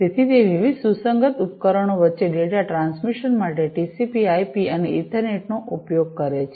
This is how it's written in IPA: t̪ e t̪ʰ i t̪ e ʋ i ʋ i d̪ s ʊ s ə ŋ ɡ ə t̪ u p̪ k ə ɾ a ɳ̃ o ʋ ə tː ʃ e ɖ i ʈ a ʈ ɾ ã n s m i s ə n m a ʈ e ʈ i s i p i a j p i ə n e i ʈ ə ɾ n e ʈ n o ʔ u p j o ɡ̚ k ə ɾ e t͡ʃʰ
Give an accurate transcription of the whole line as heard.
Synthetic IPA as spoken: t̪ e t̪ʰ i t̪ e ʋ i ʋ i d̪ s u s ə ŋ ɡ ə t̪ u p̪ k ə ɾ ə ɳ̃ o ʋ ə tː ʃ e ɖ e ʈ a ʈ ɾ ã n s m i ʃ ə n m a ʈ e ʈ i s i p i a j p i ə n e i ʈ ə ɾ n e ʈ n o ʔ u p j o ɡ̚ k ə ɾ e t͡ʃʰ

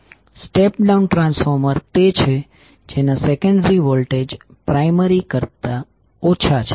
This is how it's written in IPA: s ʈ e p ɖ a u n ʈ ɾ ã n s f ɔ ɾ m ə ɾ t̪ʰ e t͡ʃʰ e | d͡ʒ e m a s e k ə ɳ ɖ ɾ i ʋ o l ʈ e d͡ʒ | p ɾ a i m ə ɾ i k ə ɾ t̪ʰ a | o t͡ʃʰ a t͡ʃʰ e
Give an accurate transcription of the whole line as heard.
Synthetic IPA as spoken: s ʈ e p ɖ a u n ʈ ɾ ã n s f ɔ ɾ m ə ɾ t̪ e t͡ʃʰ e | d͡ʒ e n a s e k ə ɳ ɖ ɾ i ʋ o l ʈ e d͡ʒ | p ɾ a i m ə ɾ i k ə ɾ t̪ a | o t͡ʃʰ a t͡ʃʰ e

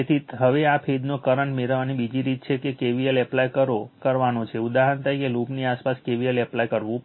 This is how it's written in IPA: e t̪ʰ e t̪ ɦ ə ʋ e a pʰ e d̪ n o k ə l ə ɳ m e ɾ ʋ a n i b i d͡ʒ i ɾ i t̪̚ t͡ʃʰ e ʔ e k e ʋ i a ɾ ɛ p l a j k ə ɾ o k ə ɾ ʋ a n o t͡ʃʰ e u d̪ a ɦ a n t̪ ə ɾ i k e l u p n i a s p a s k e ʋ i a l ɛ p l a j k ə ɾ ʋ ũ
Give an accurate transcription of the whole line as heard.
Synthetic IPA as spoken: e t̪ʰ i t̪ ɦ ə ʋ e a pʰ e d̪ n o k ə ɾ ə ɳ m e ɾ ʋ a n i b i d͡ʒ i ɾ i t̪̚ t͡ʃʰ e k e k e ʋ i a l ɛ p l a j k ə ɾ o k ə ɾ ʋ a n o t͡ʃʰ e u d̪ a ɦ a n t̪ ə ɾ i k e l u p n i a s p a s k e ʋ i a l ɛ p l a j k ə ɾ ʋ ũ

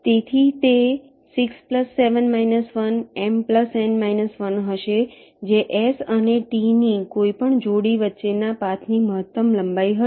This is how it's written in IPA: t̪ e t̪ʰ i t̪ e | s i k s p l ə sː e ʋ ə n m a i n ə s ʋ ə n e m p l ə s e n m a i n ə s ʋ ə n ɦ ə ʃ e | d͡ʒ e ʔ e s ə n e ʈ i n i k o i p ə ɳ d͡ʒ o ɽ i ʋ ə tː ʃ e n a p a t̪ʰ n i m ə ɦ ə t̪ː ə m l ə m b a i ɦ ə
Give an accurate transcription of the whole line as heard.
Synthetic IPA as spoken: t̪ e t̪ʰ i t̪ e | s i k s p l ə sː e ʋ ə n m a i n ə s ʋ ə n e m p l ə s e n m a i n ə s ʋ ə n ɦ ə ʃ e | d͡ʒ e ʔ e s ə n e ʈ i n i k o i p ə ɳ d͡ʒ o ɽ i ʋ ə tː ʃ e n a p a t̪ʰ n i m ə ɦ ə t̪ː ə m l ə m b a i ɦ ə

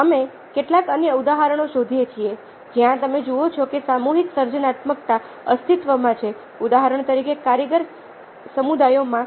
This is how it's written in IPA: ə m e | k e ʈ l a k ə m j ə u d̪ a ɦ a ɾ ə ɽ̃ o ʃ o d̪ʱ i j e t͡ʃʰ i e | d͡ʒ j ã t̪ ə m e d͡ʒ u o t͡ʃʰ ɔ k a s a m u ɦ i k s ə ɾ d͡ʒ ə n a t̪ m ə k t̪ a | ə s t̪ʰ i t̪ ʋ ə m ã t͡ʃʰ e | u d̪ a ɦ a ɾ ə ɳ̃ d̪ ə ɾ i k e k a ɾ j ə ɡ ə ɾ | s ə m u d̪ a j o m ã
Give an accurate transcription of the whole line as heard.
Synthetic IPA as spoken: ə m e | k e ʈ l a k ə n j ə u d̪ a ɦ a ɾ ə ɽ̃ o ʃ o d̪ʱ i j e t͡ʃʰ i e | d͡ʒ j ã t̪ ə m e d͡ʒ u o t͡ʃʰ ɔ k e s a m u ɦ i k s ə ɾ d͡ʒ ə n a t̪ m ə k t̪ a | ə s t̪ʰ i t̪ ʋ ə m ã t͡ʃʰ e | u d̪ a ɦ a ɾ ə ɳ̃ t̪ ə ɾ i k e k a ɾ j ə ɡ ə ɾ | s ə m u d̪ a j o m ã

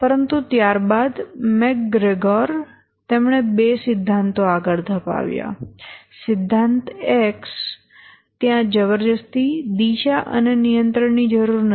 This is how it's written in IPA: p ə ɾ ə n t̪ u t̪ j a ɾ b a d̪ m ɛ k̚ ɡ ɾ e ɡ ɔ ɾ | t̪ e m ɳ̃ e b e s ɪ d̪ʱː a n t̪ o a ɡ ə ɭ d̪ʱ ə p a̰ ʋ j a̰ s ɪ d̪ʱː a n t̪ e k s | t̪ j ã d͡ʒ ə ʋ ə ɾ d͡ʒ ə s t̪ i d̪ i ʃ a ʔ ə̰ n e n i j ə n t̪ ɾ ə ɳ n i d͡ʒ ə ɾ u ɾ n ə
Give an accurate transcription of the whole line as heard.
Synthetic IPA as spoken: p ə ɾ ə n t̪ u t̪ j a ɾ b a d̪ m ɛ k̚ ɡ ɾ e ɡ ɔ ɾ | t̪ e m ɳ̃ e b e s ɪ d̪ʱː a n t̪ o a ɡ ə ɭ d̪ʱ ə p a̰ ʋ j a̰ s ɪ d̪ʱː a n t̪ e k s | t̪ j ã d͡ʒ ə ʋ ə ɾ d͡ʒ ə s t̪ i d̪ i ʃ a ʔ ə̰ n e n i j ə n t̪ ɾ ə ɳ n i d͡ʒ ə ɾ u ɾ n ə

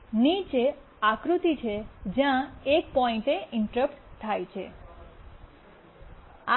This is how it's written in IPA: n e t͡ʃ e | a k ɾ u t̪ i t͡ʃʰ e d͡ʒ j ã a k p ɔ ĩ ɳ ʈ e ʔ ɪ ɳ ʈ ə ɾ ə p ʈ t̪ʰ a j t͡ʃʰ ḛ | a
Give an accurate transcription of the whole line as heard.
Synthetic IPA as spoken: n i t͡ʃ e | a k ɾ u t̪ i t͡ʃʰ e d͡ʒ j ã e k p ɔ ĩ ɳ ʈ e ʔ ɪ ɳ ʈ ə ɾ ə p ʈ t̪ʰ a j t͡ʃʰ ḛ | a

